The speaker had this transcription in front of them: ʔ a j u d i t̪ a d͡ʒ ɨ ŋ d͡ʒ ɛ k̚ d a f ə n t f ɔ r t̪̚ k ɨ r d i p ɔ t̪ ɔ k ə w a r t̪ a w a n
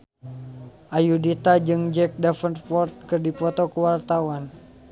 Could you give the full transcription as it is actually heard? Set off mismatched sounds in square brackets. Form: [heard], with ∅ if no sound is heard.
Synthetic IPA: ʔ a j u d i t̪ a d͡ʒ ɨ ŋ d͡ʒ ɛ k̚ d a f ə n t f ɔ r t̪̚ k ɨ r d i p ɔ t̪ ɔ k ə w a r t̪ a w a n